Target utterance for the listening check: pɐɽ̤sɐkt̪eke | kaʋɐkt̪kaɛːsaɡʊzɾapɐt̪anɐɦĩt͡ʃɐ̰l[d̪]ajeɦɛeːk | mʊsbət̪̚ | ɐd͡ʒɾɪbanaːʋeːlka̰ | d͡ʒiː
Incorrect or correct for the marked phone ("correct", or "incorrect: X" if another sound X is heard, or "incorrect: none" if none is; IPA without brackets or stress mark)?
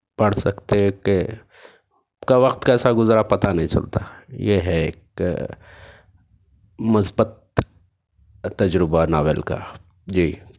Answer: incorrect: t̪